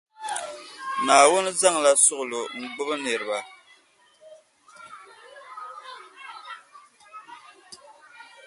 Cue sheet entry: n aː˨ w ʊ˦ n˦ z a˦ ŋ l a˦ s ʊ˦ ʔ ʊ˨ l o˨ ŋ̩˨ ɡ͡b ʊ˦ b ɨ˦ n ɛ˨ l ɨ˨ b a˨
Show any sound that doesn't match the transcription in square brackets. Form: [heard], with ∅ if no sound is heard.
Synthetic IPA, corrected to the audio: n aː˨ w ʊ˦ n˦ z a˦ ŋ l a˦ s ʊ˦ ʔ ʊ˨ l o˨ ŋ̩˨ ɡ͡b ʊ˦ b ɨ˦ n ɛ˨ [ɾ] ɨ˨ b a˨